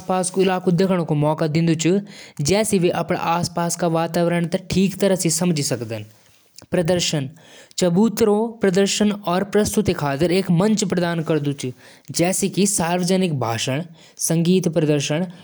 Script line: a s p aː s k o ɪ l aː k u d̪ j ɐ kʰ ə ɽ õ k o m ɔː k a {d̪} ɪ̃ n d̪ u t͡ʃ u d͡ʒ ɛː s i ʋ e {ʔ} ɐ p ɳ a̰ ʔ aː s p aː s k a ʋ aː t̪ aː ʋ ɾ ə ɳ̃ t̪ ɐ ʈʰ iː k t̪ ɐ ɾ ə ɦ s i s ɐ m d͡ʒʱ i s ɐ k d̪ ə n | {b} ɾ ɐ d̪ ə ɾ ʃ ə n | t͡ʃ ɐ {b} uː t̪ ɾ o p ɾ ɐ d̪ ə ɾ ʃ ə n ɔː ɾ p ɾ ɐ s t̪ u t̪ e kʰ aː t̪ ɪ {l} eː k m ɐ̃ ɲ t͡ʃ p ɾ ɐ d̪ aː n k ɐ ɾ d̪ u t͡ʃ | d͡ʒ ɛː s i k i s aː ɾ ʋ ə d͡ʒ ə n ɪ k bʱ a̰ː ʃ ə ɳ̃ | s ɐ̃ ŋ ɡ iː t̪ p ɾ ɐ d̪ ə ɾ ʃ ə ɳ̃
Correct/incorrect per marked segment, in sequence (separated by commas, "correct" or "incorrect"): correct, correct, incorrect, correct, incorrect